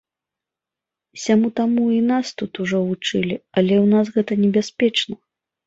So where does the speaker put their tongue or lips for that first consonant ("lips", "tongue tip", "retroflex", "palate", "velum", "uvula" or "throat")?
tongue tip